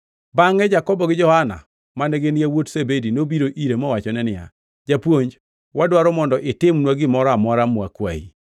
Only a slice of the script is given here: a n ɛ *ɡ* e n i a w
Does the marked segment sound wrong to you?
no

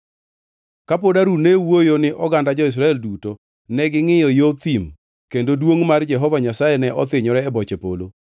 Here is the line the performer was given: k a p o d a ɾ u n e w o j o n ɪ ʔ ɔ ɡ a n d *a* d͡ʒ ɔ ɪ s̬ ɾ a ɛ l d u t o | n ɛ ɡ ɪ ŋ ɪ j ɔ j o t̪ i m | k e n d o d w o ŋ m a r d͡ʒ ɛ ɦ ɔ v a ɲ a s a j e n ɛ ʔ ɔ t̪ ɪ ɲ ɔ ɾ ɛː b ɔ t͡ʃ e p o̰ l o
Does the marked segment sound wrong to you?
no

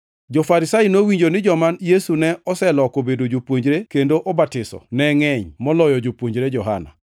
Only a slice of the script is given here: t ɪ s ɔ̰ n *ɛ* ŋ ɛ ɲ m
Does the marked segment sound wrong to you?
no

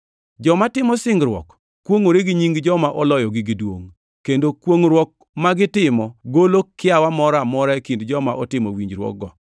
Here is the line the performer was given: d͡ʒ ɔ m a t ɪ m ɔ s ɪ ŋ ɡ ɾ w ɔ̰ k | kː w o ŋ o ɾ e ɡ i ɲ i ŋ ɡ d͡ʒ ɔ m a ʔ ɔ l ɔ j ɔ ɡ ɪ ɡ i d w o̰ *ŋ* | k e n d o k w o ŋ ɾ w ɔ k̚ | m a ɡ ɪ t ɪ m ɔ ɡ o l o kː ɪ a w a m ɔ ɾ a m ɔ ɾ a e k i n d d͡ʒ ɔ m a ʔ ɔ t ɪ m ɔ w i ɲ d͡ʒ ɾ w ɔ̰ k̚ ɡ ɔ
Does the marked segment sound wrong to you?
no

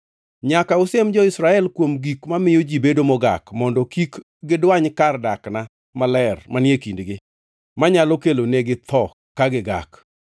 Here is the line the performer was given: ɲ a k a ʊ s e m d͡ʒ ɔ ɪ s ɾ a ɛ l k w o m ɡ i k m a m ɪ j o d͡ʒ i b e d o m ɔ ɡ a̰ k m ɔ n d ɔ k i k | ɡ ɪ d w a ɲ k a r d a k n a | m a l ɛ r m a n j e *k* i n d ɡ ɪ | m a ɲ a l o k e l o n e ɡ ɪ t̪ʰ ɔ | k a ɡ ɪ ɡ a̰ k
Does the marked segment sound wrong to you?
no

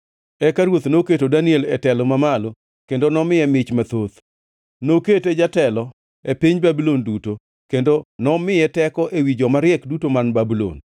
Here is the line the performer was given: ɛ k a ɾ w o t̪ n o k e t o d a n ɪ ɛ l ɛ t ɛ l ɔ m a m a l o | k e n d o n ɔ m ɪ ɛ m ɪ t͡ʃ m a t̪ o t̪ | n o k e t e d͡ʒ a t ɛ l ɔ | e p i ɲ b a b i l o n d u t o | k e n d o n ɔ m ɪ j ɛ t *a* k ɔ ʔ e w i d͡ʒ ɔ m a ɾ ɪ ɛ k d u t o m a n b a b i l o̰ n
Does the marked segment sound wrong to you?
yes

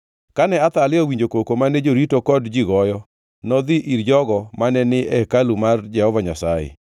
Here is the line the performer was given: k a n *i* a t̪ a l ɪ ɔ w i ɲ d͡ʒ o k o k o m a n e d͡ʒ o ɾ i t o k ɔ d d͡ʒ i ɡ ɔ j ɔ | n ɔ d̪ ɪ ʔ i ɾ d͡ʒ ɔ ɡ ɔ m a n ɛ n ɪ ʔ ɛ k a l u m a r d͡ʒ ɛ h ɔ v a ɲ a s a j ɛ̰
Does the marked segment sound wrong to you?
yes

